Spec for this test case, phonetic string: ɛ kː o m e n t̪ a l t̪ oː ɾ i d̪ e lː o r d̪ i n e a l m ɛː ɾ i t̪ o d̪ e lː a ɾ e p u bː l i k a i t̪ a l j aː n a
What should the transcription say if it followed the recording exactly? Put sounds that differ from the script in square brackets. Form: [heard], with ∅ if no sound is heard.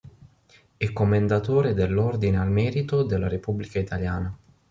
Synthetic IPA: ɛ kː o m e n [d̪] a [∅] t̪ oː ɾ [e] d̪ e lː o r d̪ i n e a l m ɛː ɾ i t̪ o d̪ e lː a ɾ e p u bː l i k a i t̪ a l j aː n a